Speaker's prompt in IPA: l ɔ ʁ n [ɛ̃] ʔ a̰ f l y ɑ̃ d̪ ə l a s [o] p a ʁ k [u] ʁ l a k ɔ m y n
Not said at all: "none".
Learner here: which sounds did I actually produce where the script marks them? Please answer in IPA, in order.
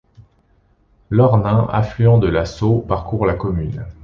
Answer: ɛ̃, o, u

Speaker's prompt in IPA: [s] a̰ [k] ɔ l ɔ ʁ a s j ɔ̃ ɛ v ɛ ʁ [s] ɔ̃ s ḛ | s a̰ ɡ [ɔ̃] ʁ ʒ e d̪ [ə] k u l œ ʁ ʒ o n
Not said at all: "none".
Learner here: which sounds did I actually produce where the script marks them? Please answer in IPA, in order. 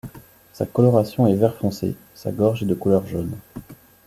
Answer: s, k, f, ɔ, ə

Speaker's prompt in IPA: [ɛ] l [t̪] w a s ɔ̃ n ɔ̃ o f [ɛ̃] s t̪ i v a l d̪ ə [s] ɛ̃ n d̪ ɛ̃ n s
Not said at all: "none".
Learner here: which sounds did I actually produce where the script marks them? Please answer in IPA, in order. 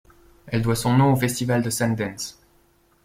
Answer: ɛ, d̪, ɛ, s

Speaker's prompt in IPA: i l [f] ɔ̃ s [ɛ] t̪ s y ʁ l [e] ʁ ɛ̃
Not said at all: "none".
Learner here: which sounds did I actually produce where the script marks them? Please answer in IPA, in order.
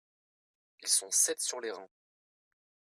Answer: s, ɛ, e

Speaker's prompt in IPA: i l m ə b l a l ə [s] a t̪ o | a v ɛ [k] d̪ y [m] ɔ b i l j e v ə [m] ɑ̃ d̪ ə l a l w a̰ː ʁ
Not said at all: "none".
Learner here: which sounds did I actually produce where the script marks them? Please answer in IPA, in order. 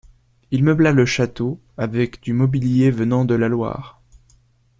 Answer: ʃ, k, m, n

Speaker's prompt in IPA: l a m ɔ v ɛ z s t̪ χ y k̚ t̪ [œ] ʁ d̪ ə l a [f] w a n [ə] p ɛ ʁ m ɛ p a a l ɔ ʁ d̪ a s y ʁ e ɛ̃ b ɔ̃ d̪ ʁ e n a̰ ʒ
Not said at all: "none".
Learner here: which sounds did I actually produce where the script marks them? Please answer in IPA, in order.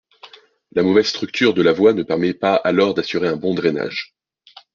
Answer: y, v, ə

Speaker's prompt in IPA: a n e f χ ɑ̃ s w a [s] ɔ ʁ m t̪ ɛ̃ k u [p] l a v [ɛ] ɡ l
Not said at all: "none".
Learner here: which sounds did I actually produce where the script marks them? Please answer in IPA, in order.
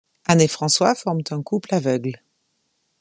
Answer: f, p, œ

